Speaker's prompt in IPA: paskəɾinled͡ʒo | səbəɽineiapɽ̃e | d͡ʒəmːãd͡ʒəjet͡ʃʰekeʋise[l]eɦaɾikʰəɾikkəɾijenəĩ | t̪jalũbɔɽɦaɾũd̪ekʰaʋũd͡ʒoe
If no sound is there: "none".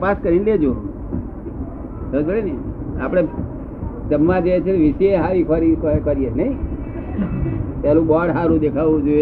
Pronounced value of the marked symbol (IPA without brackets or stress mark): none